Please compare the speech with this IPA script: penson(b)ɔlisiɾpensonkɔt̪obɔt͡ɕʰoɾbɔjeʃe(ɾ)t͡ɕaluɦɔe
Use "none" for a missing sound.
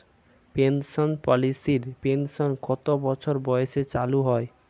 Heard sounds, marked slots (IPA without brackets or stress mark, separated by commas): p, none